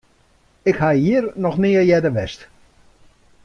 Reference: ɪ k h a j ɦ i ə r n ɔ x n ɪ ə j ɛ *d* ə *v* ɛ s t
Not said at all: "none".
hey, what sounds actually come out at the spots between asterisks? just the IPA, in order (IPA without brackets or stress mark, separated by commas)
d, ʋ